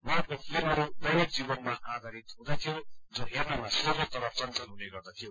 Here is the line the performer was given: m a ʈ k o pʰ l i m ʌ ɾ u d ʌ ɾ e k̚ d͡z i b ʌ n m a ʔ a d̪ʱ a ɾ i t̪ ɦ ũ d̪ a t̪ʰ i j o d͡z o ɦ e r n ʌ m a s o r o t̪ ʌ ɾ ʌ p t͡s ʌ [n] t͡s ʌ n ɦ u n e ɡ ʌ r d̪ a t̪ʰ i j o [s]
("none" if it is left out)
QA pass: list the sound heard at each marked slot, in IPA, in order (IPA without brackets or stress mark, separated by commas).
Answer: n, none